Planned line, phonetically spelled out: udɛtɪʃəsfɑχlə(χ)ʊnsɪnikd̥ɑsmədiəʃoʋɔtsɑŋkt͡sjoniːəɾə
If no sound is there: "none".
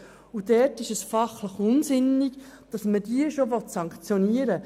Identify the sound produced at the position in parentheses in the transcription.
χ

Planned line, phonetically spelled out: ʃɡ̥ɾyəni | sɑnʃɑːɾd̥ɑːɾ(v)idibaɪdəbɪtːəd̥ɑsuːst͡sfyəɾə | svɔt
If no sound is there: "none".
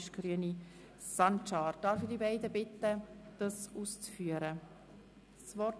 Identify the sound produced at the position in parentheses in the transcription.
f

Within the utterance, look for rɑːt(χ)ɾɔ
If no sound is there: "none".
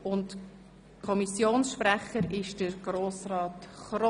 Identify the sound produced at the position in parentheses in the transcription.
χ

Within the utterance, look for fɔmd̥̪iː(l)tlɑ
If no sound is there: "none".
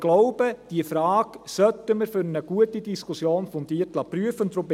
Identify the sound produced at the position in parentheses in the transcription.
none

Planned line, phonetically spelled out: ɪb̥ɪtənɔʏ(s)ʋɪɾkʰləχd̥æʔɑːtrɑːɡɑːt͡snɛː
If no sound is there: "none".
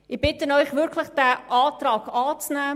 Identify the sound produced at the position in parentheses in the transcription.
χ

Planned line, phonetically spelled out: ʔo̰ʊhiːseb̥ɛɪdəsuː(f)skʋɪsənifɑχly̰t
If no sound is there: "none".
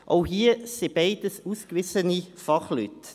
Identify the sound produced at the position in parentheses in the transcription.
none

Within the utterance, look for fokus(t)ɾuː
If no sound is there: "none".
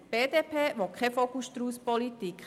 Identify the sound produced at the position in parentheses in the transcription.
t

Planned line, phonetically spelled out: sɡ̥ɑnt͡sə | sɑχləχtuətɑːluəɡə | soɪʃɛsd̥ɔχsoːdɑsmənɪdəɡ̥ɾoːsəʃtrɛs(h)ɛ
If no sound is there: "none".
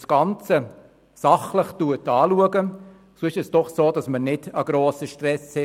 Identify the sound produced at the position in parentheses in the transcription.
h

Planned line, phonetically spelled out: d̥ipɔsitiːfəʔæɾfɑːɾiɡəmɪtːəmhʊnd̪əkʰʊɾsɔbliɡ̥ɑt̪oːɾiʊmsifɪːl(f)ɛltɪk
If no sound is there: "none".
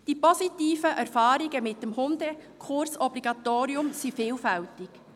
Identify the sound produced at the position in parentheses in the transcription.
f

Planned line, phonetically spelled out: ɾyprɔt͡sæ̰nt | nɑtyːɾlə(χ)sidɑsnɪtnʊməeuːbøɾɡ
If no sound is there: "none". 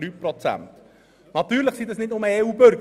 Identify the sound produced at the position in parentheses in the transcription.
χ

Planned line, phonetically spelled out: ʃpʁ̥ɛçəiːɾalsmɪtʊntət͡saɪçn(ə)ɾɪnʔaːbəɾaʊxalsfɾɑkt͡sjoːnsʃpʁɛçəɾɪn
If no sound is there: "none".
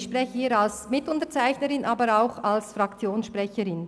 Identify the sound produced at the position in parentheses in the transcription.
ə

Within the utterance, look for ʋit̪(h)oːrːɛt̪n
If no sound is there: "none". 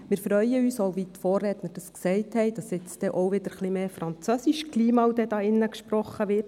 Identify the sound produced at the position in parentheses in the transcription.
f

